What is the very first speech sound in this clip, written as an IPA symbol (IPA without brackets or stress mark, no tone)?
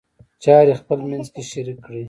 t͡ʃ